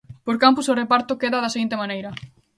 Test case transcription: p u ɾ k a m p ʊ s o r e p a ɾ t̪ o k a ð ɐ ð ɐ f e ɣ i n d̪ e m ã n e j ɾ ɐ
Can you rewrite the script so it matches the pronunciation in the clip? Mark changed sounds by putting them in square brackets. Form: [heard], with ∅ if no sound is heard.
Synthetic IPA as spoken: p [o] ɾ k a m p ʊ s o r e p a ɾ t̪ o k [e] ð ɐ ð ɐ [s] e ɣ i n [t̪] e m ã n e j ɾ ɐ